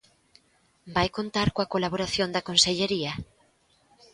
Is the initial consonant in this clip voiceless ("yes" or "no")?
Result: no